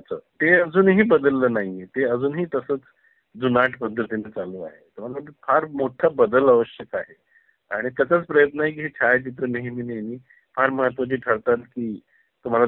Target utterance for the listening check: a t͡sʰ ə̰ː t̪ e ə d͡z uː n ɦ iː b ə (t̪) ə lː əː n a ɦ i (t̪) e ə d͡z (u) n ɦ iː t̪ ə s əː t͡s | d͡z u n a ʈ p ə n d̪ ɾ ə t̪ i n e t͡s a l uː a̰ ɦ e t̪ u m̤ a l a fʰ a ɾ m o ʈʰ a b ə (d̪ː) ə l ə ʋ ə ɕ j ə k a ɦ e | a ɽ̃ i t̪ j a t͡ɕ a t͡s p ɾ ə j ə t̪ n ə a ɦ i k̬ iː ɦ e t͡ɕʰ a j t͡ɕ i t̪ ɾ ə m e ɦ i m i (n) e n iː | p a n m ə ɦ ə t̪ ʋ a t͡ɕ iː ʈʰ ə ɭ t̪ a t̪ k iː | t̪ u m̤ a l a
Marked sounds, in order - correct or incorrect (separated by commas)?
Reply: incorrect, correct, incorrect, incorrect, correct